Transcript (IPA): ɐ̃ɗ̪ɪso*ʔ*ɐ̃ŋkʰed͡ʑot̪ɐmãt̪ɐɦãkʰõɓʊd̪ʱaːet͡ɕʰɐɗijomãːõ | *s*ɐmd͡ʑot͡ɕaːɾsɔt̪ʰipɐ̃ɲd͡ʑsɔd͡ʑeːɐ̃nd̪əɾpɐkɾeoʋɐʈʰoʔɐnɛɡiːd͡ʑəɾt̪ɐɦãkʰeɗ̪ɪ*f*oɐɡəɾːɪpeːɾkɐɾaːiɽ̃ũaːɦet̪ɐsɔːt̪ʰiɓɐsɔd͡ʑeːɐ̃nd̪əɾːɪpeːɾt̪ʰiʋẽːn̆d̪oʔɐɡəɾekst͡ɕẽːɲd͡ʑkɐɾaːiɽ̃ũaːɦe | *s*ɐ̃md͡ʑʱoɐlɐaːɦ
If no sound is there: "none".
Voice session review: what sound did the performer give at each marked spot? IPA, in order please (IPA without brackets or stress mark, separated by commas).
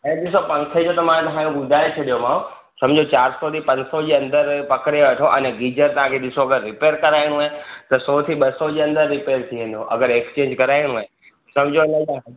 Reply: p, s, s, s